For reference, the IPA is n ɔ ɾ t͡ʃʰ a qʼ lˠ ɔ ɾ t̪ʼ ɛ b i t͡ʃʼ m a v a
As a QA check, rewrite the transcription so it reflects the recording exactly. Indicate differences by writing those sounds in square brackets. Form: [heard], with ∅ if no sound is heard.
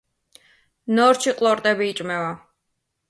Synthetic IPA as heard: n ɔ ɾ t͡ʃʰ [i] qʼ lˠ ɔ ɾ t̪ʼ ɛ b [iː] t͡ʃʼ m [ɛ] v a

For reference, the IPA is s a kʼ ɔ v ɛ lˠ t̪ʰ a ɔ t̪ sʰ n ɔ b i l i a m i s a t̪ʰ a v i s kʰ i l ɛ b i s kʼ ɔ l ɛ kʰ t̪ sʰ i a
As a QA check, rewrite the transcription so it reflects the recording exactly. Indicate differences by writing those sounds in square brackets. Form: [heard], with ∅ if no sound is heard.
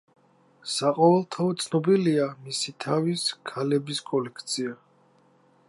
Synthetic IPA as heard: s a [qʼ] ɔ v ɛ lˠ t̪ʰ a ɔ t̪ sʰ n ɔ b i l i a m i s [i] t̪ʰ a v i s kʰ [a] l ɛ b i s kʼ ɔ l ɛ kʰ t̪ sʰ i a

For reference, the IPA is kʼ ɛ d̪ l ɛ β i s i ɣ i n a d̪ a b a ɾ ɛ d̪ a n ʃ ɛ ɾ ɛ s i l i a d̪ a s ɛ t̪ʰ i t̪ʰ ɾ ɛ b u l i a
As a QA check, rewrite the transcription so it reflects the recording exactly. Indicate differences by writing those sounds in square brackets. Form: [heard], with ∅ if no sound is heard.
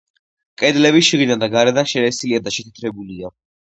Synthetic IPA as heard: kʼ ɛ d̪ l ɛ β i [ʃ] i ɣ i n a d̪ a [ɡ] a ɾ ɛ d̪ a n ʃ ɛ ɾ ɛ s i l i a d̪ a [ʃ] ɛ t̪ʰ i t̪ʰ ɾ ɛ b u l i a

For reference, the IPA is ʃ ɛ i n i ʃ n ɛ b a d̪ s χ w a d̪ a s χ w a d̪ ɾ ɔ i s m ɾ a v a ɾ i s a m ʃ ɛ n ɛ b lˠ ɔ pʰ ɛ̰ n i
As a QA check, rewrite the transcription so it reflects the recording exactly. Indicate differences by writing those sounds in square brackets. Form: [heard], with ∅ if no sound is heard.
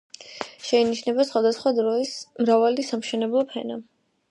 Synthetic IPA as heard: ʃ ɛ i n i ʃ n ɛ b a [∅] s χ w a d̪ a s χ w a d̪ ɾ ɔ i s m ɾ a v a [l] i s a m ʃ ɛ n ɛ b lˠ ɔ pʰ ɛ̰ n [a]

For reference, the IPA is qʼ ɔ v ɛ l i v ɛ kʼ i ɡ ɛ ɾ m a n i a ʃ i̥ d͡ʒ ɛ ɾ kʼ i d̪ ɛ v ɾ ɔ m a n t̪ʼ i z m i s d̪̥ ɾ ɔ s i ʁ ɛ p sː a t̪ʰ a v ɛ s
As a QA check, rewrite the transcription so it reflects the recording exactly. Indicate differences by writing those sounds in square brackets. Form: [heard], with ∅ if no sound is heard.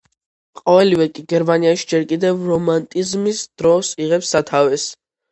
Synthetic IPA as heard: qʼ ɔ v ɛ l i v ɛ kʼ i ɡ ɛ ɾ m a n i a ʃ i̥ d͡ʒ ɛ ɾ kʼ i d̪ ɛ v ɾ ɔ m a n t̪ʼ i z m i s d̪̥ ɾ ɔ s i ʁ ɛ p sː a t̪ʰ a v ɛ s

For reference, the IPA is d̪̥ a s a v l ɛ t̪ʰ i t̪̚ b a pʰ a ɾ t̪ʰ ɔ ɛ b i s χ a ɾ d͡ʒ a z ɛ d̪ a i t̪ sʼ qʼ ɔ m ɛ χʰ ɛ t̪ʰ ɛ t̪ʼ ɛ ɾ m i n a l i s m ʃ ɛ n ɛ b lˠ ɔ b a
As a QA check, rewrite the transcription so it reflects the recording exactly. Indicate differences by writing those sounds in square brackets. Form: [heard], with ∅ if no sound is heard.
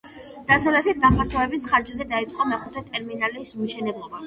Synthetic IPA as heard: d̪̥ a s a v l ɛ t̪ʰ i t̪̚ [ɡ] a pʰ a ɾ t̪ʰ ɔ ɛ b i s χ a ɾ d͡ʒ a z ɛ d̪ a i t̪ sʼ qʼ ɔ m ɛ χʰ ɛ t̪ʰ ɛ t̪ʼ ɛ ɾ m i n a l i s m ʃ ɛ n ɛ b lˠ ɔ b a

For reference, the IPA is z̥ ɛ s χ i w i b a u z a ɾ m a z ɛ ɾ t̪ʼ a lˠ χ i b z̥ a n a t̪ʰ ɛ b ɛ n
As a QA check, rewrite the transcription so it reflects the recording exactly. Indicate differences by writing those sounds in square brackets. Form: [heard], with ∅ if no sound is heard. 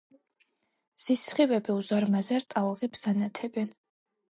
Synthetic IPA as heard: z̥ [i] s χ i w [ɛ] b [i] u z a ɾ m a z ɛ ɾ t̪ʼ a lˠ [ʁ] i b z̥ a n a t̪ʰ ɛ b ɛ n

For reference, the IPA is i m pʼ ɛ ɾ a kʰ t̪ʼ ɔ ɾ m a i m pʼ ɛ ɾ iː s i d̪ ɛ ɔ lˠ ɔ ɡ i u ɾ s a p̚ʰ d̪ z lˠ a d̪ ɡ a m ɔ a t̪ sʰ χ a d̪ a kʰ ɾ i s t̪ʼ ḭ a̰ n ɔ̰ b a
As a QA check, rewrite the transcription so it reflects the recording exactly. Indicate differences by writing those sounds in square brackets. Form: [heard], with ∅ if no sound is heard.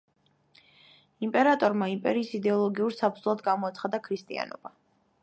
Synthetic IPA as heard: i m pʼ ɛ ɾ a [∅] t̪ʼ ɔ ɾ m a i m pʼ ɛ ɾ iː s i d̪ ɛ ɔ lˠ ɔ ɡ i u ɾ s a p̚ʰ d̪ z lˠ a d̪ ɡ a m ɔ a t̪ sʰ χ a d̪ a kʰ ɾ i s t̪ʼ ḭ a̰ n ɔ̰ b a

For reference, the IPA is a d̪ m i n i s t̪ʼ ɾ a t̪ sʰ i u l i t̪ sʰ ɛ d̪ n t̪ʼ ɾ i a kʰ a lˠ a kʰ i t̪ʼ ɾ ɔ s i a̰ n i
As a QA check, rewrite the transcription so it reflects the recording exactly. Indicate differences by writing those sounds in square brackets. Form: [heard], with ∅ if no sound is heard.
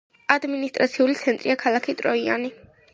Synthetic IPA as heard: a d̪ m i n i s t̪ʼ ɾ a t̪ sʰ i u l i t̪ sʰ ɛ [∅] n t̪ʼ ɾ i a kʰ a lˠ a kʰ i t̪ʼ ɾ ɔ [∅] i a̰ n i

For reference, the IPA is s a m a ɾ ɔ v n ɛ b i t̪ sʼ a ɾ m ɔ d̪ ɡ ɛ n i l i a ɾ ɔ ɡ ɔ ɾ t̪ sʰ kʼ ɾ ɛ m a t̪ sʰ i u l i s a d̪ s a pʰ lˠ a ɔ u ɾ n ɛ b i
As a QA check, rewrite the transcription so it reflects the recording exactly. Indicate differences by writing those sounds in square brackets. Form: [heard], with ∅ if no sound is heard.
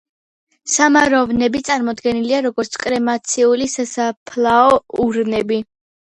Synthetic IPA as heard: s a m a ɾ ɔ v n ɛ b i t̪ sʼ a ɾ m ɔ d̪ ɡ ɛ n i l i a ɾ ɔ ɡ ɔ ɾ t̪ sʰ kʼ ɾ ɛ m a t̪ sʰ i u l i s a [∅] s a pʰ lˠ a ɔ u ɾ n ɛ b i

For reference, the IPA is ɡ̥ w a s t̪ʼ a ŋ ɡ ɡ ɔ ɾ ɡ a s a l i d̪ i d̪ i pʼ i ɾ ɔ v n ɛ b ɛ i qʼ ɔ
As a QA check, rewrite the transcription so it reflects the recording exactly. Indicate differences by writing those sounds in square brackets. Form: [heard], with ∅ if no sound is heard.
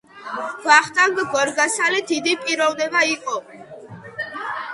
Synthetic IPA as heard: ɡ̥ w a [χ] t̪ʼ a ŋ ɡ ɡ ɔ ɾ ɡ a s a l i d̪ i d̪ i pʼ i ɾ ɔ v n ɛ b [a] i qʼ ɔ

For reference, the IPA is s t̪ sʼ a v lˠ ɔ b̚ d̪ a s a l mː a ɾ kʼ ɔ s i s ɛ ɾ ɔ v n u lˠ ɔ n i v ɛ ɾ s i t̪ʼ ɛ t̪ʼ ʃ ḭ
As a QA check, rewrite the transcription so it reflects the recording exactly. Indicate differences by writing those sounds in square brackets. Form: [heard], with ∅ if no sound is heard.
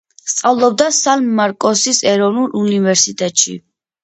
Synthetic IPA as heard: s t̪ sʼ a v lˠ ɔ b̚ d̪ a s a l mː a ɾ kʼ ɔ s i s ɛ ɾ ɔ v n u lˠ [u] n i v ɛ ɾ s i t̪ʼ ɛ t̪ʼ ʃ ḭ

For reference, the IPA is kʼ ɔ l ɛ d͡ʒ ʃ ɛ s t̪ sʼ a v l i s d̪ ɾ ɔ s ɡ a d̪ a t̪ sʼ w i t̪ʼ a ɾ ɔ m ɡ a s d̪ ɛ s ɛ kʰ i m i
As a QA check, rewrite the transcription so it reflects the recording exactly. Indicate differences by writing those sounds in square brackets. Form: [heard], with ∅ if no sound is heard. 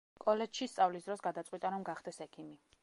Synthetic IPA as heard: kʼ ɔ l ɛ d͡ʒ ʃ [i] s t̪ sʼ a v l i s d̪ ɾ ɔ s ɡ a d̪ a t̪ sʼ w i t̪ʼ a ɾ ɔ m ɡ a [χ] d̪ ɛ s ɛ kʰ i m i

